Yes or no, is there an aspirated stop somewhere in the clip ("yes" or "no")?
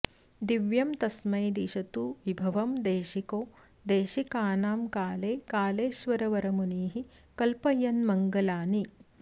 no